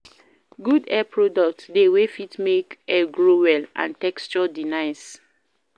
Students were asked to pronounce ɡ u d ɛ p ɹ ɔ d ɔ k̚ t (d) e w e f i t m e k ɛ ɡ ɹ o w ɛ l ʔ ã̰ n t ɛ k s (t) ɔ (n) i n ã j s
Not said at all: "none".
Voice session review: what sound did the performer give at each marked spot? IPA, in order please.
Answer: d, t͡ʃ, d

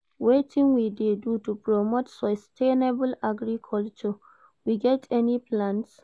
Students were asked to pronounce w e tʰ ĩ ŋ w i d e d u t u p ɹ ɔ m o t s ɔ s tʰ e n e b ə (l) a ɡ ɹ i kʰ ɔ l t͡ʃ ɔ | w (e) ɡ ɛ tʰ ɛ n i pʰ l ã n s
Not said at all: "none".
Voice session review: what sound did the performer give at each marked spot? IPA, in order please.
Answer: l, i

